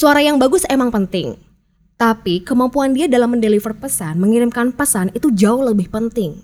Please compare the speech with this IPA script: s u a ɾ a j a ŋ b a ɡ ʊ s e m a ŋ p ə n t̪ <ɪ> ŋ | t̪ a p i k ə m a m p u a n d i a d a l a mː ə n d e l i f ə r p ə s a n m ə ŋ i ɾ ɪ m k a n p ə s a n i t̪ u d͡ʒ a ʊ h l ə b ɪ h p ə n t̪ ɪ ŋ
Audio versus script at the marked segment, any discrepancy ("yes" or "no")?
no